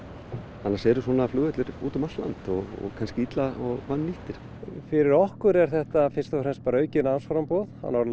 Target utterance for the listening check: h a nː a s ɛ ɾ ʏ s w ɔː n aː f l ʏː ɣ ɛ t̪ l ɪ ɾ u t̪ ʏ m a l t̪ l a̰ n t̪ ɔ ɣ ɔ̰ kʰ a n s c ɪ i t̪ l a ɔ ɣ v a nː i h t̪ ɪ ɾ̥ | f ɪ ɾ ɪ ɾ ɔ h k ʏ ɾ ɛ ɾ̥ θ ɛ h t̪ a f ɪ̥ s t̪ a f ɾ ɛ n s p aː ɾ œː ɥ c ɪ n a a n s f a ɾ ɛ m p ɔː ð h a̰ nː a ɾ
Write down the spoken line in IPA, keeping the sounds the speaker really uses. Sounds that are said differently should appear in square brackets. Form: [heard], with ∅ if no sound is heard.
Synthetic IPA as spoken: h a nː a s ɛ ɾ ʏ s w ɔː n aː f l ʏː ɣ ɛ t̪ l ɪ ɾ [uː] t̪ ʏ m a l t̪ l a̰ n t̪ ɔ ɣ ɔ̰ kʰ a n s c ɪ i t̪ l a ɔ ɣ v a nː i h t̪ ɪ ɾ̥ | f ɪ ɾ ɪ ɾ ɔ h k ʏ ɾ ɛ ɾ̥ θ ɛ h t̪ a f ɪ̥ s t̪ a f ɾ ɛ n s p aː ɾ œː ɥ c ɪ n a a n s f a ɾ [a] m p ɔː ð h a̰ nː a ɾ